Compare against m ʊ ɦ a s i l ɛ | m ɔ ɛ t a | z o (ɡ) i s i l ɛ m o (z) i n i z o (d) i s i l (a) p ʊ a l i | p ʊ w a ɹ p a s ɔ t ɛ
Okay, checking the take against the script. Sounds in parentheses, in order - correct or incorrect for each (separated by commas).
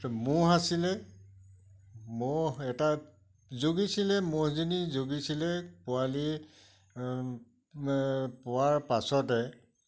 correct, correct, incorrect, incorrect